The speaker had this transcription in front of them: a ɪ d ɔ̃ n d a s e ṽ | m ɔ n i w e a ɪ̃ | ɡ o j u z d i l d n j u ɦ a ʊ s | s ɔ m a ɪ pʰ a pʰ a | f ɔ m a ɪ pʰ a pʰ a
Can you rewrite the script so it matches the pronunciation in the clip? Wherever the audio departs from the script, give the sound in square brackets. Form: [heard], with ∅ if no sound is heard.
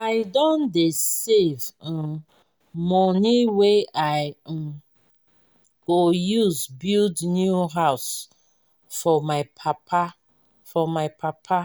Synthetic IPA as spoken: a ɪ d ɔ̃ n d [e] s e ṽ | m ɔ n i w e a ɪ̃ | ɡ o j u z [b] i l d n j u ɦ a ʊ s | [f] ɔ m a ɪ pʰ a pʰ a | f ɔ m a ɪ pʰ a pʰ a

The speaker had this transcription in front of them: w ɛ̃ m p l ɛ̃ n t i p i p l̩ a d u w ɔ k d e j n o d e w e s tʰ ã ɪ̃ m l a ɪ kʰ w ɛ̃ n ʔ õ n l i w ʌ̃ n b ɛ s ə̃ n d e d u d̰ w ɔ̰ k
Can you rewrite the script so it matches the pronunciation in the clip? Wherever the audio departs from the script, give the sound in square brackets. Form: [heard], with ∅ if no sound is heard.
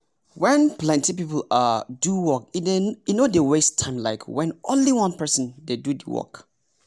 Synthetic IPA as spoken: w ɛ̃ [n] p l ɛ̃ n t i p i p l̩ a d u w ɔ k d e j n o d e w e s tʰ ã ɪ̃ m l a ɪ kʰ w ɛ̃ n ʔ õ n l i w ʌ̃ n [p] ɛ s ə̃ n d e d u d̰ w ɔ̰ k

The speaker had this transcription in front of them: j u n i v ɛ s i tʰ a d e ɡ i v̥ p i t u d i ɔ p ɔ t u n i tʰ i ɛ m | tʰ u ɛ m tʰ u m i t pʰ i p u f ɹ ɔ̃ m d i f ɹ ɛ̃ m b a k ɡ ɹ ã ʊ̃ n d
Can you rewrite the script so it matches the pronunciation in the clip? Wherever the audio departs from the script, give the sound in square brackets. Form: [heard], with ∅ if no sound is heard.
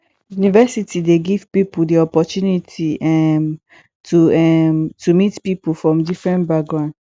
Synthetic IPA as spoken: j u n i v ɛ s i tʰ [i] d e ɡ i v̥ p i [p] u d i ɔ p ɔ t u n i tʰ i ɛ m | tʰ u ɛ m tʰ u m i t [p] i p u f ɹ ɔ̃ m d i f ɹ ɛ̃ [n] b a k ɡ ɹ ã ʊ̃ n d

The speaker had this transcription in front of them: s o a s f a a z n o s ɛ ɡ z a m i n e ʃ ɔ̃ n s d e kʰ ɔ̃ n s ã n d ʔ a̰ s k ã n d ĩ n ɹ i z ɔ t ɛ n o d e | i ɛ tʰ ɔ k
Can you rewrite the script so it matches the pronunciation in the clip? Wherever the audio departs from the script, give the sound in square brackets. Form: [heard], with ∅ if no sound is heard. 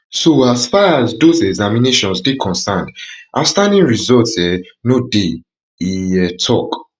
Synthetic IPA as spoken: s o a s f a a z [d] o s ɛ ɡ z a m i n e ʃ ɔ̃ n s d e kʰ ɔ̃ n s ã n d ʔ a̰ s [t] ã n d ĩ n ɹ i z ɔ t ɛ n o d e | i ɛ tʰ ɔ k

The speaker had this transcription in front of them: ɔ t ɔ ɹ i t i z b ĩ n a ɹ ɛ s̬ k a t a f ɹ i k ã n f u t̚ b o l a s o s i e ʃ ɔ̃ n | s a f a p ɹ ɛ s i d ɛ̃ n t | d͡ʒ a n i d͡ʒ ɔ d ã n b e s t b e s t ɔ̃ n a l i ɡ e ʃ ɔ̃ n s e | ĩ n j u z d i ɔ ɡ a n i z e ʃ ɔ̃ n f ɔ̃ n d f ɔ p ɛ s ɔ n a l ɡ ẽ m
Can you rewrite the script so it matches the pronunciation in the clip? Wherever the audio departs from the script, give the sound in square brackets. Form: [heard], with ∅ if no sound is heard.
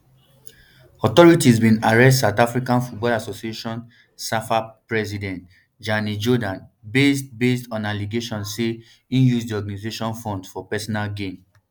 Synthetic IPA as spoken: ɔ t ɔ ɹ i t i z b ĩ n a ɹ ɛ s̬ [t] a t a f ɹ i k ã n f u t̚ b [ɔ] l a s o s i e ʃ ɔ̃ n | s a f a p ɹ ɛ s i d ɛ̃ n t | d͡ʒ a n i d͡ʒ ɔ d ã n b e s t b e s t ɔ̃ n a l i ɡ e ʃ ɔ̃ n s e | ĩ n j u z d i ɔ ɡ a n i z e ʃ ɔ̃ n f ɔ̃ n d f ɔ p ɛ s ɔ n a l ɡ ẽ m

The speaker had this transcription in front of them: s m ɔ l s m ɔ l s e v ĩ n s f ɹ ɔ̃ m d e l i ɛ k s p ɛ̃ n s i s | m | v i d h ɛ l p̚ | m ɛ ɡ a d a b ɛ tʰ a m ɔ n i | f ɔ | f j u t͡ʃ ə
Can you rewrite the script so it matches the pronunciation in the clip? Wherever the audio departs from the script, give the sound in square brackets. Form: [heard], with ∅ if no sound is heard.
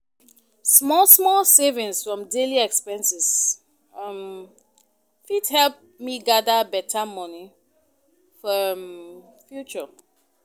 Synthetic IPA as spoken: s m ɔ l s m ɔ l s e v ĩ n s f ɹ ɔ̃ m d e l i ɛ k s p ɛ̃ n s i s | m | [f] i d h ɛ l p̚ | m [i] ɡ a d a b ɛ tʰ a m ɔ n i | f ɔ | f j u t͡ʃ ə

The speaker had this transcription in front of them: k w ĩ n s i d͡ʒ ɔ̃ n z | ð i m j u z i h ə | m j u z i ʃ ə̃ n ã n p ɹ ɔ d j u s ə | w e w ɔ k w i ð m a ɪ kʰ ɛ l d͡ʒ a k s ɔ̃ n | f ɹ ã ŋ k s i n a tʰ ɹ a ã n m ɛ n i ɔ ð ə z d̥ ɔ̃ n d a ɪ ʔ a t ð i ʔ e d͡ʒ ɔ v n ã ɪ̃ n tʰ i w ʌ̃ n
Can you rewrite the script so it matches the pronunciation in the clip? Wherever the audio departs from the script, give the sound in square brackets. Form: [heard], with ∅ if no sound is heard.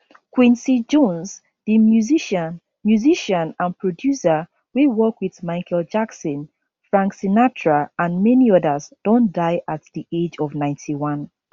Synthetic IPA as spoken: k w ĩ n s i d͡ʒ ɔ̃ n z | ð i m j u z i [ʃ] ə | m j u z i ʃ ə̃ n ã n p ɹ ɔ d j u s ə | w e w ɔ k w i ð m a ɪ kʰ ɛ l d͡ʒ a k s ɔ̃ n | f ɹ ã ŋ k s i n a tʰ ɹ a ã n m ɛ n i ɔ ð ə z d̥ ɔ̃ n d a ɪ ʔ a t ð i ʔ e d͡ʒ ɔ v n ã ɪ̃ n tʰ i w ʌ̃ n

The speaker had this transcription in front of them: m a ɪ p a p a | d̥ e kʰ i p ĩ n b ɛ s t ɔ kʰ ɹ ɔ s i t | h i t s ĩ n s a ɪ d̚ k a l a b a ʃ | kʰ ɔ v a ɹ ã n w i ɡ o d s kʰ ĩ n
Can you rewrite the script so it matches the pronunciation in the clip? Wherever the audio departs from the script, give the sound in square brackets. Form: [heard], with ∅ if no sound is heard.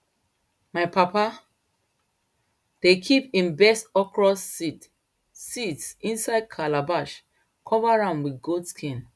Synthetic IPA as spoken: m a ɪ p a p a | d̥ e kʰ i p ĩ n b ɛ s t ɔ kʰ ɹ ɔ s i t | [s] i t s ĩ n s a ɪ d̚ [kʰ] a l a b a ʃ | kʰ ɔ v a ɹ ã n w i ɡ o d s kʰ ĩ n

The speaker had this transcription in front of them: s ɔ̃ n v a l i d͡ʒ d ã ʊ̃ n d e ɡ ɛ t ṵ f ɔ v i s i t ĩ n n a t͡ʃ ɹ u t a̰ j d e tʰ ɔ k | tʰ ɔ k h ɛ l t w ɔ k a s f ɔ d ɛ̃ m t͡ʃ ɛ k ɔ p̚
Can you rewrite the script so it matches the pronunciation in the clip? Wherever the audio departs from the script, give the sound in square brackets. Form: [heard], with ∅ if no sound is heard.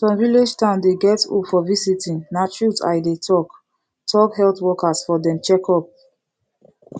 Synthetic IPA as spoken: s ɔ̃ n v [i] l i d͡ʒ [t] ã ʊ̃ n d e ɡ ɛ t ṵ f ɔ v i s i t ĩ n n a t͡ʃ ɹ u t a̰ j d e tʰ ɔ k | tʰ ɔ k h ɛ l t w ɔ k a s f ɔ d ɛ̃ m t͡ʃ ɛ k ɔ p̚

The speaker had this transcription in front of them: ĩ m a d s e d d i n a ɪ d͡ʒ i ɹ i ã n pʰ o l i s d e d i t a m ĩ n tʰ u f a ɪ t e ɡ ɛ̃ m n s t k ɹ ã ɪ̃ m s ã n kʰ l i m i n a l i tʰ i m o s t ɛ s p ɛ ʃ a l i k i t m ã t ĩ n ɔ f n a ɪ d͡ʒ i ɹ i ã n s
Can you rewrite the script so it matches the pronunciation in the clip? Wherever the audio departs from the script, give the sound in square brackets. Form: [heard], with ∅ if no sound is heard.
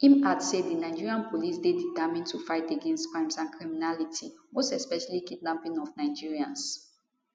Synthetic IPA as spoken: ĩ m a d s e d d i n a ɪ d͡ʒ i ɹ i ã n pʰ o l i s d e d i t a m ĩ n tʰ u f a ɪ t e ɡ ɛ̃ [∅] n s t k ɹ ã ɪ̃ m s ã n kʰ [ɹ] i m i n a l i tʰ i m o s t ɛ s p ɛ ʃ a l i k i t [n] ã [p] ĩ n ɔ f n a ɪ d͡ʒ i ɹ i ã n s

